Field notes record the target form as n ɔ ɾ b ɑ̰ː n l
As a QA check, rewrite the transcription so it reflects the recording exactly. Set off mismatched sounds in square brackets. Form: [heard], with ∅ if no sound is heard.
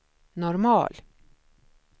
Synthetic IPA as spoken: n ɔ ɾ [m] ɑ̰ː [∅] l